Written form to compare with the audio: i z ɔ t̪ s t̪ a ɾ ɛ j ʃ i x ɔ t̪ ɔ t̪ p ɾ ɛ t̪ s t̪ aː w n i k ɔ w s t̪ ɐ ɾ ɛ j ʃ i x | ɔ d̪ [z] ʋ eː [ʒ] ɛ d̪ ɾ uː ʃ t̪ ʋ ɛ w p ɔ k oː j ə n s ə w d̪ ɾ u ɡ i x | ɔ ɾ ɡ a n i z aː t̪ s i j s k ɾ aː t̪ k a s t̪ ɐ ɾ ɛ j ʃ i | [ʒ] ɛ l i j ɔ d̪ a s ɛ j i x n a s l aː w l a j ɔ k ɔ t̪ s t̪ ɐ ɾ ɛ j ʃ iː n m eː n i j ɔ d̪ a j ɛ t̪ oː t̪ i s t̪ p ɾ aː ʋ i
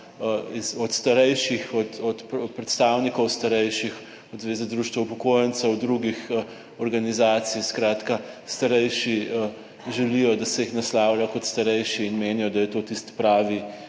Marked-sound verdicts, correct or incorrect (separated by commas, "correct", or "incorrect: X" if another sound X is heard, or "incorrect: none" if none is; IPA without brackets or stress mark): correct, incorrect: z, correct